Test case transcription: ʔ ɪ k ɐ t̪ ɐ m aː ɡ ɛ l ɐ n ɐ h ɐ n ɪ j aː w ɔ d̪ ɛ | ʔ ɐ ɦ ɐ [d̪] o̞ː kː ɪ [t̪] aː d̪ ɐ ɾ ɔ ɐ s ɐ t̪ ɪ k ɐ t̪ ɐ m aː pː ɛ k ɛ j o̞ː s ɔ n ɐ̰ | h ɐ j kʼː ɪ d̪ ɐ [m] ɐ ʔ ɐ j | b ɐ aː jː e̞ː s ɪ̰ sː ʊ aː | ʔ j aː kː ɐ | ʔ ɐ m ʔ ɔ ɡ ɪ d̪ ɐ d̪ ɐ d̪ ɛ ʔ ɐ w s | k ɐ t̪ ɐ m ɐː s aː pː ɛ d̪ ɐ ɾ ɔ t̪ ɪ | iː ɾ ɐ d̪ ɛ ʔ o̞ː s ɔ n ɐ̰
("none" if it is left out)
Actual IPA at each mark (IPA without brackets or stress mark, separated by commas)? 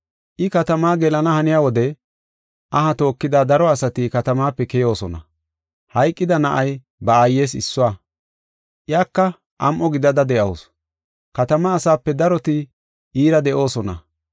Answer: t̪, d̪, n